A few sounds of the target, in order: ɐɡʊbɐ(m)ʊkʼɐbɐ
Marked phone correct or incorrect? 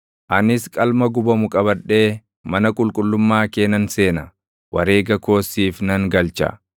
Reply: correct